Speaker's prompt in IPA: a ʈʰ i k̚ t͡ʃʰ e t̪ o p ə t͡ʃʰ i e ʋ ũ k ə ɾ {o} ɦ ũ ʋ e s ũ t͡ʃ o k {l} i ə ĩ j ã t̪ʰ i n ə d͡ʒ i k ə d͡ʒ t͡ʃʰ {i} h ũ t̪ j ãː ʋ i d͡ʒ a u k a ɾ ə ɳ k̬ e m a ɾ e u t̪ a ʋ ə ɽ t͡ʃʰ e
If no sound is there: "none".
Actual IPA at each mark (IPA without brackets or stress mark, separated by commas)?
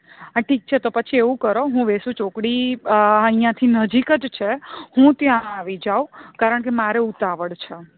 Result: o, ɽ, e